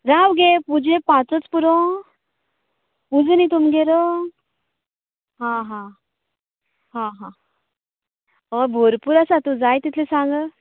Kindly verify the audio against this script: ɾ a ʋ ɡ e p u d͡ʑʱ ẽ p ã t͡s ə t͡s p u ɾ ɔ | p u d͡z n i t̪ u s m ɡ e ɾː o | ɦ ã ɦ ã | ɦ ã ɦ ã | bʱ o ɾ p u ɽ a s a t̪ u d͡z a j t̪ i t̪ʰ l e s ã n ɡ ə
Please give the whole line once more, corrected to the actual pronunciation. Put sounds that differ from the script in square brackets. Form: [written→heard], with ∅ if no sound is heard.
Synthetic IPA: ɾ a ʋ ɡ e p u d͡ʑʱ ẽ p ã t͡s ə t͡s p u ɾ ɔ | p u d͡z n i t̪ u [s→∅] m ɡ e [ɾː→ɾ] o | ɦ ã ɦ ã | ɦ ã ɦ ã | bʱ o ɾ p u [ɽ→ɾ] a s a t̪ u d͡z a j t̪ i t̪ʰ l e s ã [n→ŋ] ɡ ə